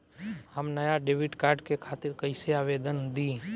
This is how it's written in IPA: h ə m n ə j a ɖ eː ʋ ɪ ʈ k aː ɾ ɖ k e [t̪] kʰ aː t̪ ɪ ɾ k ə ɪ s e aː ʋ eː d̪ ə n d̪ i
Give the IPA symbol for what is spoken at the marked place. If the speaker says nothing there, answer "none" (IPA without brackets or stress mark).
none